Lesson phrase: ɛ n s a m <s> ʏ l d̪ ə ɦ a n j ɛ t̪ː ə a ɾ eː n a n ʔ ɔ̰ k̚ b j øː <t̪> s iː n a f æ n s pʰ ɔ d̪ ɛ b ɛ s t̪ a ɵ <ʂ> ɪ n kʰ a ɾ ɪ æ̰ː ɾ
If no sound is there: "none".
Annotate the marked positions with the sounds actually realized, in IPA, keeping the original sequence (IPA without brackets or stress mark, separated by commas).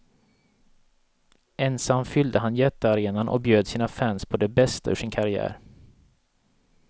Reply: f, d̪, ʂ